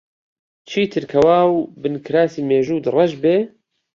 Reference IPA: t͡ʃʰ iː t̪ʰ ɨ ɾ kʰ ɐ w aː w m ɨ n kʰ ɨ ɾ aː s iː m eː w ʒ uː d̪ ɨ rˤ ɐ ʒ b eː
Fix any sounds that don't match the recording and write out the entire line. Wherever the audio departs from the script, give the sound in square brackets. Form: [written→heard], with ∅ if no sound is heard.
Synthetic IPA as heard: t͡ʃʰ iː t̪ʰ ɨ ɾ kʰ ɐ w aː w [m→b] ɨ n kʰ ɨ ɾ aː s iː m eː [w→∅] ʒ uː d̪ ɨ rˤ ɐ ʒ b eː